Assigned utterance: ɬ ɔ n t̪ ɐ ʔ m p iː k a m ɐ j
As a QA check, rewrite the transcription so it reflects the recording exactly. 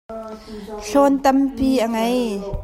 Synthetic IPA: ɬ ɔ n t̪ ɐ m p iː ʔ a ŋ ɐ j